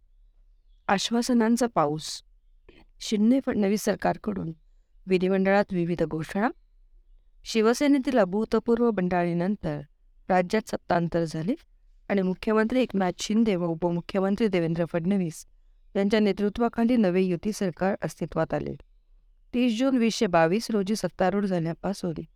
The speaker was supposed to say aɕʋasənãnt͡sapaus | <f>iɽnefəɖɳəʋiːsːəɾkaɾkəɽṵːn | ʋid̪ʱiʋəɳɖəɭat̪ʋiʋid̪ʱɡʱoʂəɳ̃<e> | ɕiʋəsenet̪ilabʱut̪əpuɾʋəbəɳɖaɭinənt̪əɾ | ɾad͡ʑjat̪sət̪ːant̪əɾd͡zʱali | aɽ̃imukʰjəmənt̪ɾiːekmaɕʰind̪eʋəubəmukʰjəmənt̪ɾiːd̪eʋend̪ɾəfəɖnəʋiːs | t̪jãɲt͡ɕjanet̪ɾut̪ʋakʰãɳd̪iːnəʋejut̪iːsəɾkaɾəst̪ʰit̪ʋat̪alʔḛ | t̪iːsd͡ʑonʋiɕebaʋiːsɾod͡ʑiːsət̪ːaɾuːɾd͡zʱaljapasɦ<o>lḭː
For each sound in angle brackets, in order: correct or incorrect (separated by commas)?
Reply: incorrect, incorrect, correct